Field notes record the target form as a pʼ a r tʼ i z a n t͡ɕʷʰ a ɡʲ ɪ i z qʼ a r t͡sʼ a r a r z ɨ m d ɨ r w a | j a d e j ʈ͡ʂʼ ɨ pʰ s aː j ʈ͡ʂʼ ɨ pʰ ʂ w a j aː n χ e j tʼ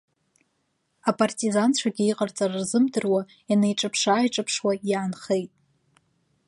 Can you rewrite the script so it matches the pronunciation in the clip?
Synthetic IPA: a pʼ a r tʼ i z a n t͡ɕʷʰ a ɡʲ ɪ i qʼ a r t͡sʼ a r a r z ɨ m d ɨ r w a | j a n e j ʈ͡ʂʼ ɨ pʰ ʂ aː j ʈ͡ʂʼ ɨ pʰ ʂ w a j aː n χ e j tʼ